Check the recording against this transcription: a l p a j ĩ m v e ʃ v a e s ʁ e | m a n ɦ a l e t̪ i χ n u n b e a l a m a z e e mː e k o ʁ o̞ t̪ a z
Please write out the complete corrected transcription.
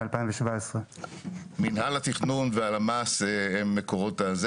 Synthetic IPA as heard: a l p a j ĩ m v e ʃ v a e s ʁ e | m i n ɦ a l a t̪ i χ n u n v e a l a m a s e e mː e k o ʁ o̞ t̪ a z